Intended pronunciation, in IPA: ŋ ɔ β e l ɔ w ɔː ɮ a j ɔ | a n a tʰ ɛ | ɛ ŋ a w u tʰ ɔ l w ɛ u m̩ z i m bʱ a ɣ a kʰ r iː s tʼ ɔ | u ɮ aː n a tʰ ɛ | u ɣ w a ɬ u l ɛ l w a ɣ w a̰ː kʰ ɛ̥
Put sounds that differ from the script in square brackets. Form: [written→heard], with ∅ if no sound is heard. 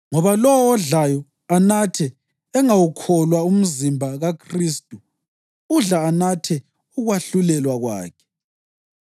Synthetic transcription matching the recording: ŋ ɔ β [e→a] l ɔ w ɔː ɮ a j ɔ | a n a tʰ ɛ | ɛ ŋ a w u [tʰ→kʰ] ɔ l w [ɛ→a] u m̩ z i m bʱ a ɣ a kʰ r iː s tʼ [ɔ→u] | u ɮ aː n a tʰ ɛ | u ɣ w a ɬ u l ɛ l w a ɣ w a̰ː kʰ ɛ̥